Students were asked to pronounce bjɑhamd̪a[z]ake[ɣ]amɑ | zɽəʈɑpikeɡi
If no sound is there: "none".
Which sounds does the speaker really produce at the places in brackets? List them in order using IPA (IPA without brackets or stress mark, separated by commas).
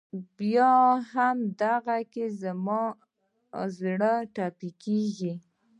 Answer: ɣ, z